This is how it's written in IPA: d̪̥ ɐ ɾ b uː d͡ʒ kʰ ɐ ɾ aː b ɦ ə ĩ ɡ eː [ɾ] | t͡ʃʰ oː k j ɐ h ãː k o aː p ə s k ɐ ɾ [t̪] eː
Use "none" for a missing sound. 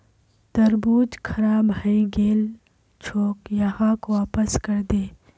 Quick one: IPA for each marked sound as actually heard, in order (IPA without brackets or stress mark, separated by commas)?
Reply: l, d̪